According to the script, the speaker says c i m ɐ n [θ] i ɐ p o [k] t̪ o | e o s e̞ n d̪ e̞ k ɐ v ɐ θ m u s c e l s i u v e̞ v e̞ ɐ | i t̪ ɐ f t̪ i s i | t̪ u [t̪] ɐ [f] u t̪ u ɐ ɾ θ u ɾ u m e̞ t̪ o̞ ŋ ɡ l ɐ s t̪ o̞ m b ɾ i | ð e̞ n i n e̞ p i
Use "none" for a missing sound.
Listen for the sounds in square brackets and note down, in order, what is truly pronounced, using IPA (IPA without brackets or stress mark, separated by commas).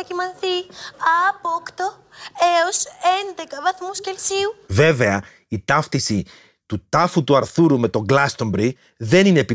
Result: θ, k, t̪, f